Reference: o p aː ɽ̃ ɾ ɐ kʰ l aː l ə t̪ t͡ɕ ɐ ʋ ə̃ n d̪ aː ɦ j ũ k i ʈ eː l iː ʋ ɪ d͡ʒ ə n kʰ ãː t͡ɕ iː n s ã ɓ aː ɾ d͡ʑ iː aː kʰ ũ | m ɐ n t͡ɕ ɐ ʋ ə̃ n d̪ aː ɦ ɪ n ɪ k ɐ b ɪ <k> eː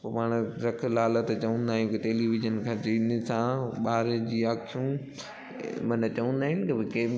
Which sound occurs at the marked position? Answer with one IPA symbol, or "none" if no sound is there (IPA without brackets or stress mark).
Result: k